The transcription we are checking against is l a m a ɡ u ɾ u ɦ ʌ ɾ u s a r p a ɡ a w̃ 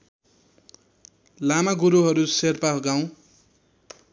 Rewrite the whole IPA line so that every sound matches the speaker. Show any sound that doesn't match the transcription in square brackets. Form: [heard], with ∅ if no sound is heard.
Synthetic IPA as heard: l a m a ɡ u ɾ u ɦ ʌ ɾ u s [e] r p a ɡ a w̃